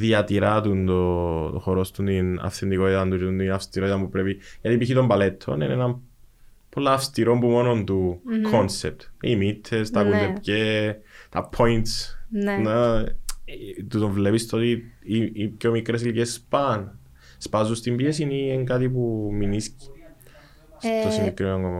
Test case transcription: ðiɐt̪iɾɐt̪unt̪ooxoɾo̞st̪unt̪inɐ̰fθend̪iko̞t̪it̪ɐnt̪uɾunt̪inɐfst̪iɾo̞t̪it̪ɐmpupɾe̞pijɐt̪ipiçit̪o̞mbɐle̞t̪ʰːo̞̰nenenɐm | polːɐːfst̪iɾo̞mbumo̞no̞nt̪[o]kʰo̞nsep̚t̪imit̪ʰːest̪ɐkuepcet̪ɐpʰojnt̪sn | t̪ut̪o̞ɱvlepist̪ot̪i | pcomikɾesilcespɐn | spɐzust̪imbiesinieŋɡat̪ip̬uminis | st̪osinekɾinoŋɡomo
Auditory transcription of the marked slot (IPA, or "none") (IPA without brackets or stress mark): u